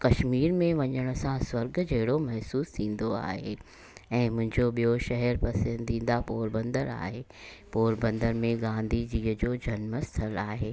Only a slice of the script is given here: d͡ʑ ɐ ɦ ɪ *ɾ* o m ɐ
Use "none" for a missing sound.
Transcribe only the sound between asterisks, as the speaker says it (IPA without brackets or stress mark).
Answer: ɽ